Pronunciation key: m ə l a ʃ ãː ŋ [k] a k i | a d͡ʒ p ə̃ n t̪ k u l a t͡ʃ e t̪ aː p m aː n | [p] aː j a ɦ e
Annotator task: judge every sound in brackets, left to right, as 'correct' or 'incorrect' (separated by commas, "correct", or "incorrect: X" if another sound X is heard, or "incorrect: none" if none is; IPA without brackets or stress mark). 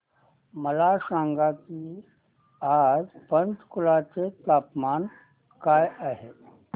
incorrect: ɡ, incorrect: k